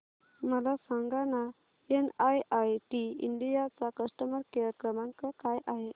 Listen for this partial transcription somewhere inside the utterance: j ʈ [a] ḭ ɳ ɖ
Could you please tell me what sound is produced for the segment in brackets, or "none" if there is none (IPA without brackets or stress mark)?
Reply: i